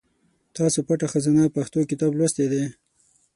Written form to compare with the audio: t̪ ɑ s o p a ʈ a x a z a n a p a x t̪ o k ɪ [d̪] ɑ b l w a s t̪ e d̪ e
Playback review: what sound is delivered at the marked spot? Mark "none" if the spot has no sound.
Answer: t̪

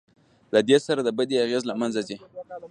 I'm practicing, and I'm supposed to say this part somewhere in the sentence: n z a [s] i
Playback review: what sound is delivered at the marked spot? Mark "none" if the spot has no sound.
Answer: z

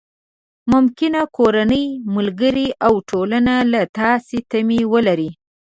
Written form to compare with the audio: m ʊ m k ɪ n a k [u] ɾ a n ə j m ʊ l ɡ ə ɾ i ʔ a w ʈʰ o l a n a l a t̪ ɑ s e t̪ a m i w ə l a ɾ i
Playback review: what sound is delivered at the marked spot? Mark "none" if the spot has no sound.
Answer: o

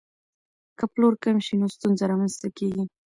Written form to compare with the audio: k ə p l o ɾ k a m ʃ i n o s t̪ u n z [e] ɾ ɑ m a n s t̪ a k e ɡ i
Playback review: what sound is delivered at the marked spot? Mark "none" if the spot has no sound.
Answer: a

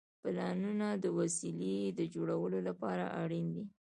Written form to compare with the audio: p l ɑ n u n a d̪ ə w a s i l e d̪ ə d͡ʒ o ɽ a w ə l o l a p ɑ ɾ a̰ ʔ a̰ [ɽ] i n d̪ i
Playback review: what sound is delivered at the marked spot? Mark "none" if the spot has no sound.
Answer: ɽ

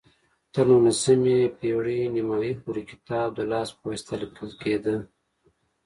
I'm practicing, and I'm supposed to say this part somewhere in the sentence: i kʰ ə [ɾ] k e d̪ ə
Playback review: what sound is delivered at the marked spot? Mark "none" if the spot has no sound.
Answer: l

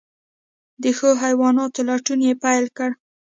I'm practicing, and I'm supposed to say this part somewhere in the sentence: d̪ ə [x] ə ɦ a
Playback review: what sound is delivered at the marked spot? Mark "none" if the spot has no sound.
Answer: x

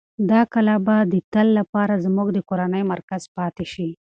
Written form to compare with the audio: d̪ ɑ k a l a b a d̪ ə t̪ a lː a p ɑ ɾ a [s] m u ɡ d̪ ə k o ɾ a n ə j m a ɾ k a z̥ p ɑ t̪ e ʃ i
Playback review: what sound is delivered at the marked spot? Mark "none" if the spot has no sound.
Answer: z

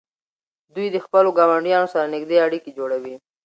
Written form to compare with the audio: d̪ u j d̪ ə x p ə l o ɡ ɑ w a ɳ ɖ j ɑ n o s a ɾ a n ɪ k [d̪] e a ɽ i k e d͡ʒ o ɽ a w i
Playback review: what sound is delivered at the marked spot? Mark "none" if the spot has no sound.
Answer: d̪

